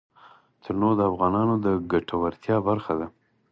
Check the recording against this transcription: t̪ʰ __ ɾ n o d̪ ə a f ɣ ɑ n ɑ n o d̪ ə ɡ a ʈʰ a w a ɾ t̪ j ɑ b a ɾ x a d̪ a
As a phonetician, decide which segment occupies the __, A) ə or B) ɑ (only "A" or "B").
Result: A